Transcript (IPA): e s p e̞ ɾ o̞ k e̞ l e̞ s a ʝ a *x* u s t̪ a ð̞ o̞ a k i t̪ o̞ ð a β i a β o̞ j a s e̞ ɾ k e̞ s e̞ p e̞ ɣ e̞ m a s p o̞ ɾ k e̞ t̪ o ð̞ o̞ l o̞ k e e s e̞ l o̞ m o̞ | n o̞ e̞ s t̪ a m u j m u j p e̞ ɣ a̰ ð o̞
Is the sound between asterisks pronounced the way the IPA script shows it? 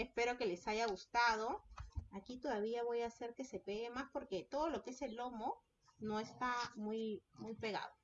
no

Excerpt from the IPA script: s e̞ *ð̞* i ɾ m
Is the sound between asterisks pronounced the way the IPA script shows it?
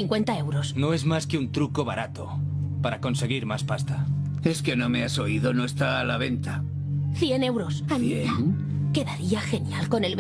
no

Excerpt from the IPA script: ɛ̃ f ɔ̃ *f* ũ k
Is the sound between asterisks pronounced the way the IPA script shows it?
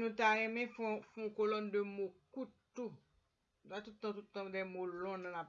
yes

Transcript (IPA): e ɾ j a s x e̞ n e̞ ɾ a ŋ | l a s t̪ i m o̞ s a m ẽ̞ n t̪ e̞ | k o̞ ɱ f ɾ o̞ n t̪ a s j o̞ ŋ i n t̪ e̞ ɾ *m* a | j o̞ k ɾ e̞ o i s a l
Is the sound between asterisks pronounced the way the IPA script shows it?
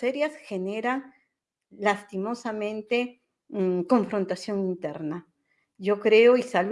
no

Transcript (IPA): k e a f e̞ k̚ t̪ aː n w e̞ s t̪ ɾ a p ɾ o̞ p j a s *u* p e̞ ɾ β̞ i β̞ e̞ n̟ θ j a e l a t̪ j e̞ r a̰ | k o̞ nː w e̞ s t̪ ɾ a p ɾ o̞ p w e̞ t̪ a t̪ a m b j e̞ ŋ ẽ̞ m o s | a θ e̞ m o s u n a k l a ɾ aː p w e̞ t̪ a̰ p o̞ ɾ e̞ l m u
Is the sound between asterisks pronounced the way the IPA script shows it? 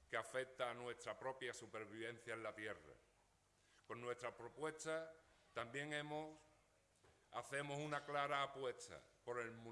yes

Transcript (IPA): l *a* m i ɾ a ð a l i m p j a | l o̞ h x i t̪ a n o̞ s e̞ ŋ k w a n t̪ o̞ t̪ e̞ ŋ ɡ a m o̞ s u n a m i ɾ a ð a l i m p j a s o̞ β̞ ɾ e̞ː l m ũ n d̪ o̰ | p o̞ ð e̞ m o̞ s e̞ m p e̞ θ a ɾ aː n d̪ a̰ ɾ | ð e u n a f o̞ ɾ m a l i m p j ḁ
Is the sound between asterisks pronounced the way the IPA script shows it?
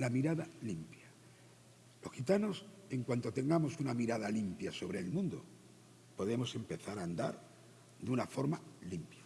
yes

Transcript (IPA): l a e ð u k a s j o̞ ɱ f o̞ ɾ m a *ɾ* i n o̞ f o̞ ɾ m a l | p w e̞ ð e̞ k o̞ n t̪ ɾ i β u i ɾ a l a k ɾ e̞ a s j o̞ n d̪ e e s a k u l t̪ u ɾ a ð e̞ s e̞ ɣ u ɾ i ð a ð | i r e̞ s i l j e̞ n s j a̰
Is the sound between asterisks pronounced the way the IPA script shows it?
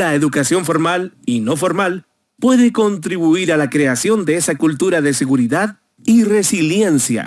no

